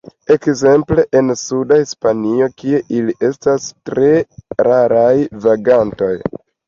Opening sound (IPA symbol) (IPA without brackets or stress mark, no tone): e̞